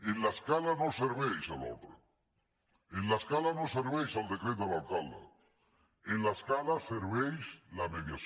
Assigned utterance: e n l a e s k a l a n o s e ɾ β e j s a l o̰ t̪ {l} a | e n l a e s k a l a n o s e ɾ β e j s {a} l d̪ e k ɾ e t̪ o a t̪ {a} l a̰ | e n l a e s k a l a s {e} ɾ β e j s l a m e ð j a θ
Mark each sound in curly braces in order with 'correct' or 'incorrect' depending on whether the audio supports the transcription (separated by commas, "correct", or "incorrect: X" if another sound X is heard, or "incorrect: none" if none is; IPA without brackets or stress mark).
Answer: incorrect: ɾ, correct, correct, correct